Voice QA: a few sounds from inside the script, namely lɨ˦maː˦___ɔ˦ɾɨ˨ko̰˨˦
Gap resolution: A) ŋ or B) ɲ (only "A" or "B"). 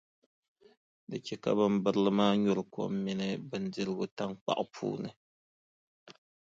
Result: B